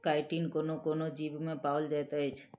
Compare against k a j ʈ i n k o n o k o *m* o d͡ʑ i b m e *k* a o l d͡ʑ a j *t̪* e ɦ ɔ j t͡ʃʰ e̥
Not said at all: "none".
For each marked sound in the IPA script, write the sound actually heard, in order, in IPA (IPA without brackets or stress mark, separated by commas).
n, p, t̪